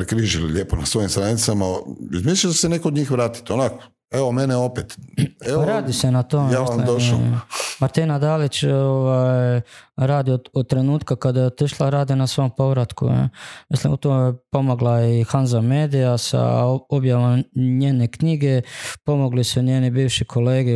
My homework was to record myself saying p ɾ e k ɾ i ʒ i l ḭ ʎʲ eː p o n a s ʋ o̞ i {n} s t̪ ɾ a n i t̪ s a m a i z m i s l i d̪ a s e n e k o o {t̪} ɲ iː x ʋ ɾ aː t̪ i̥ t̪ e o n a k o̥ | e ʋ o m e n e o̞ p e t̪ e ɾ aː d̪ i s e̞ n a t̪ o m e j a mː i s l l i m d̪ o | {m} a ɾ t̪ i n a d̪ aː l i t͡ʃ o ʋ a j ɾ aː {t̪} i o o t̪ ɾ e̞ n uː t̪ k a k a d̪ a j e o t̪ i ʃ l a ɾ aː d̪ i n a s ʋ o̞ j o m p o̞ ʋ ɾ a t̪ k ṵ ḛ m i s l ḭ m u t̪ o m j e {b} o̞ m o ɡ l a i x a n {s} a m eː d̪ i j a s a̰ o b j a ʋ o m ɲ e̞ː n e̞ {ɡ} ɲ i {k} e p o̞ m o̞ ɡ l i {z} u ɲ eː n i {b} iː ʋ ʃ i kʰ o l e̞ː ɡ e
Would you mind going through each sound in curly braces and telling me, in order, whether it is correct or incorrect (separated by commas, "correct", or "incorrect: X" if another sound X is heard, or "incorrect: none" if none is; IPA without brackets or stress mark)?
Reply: incorrect: m, incorrect: d̪, correct, incorrect: d̪, incorrect: p, incorrect: z, incorrect: k, incorrect: ɡ, incorrect: s, correct